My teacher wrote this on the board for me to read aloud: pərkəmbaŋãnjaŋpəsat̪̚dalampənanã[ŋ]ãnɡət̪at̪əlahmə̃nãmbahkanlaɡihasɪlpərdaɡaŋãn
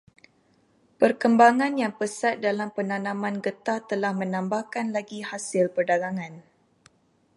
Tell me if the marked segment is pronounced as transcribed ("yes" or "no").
no